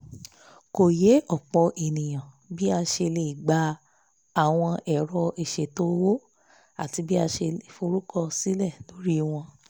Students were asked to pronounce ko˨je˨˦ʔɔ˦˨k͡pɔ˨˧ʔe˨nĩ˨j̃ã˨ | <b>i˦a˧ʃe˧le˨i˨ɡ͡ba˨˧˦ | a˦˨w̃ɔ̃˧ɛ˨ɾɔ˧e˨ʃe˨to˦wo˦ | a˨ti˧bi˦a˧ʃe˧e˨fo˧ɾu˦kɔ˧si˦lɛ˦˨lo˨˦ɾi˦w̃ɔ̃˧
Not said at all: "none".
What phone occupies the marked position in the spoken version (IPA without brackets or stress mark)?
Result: b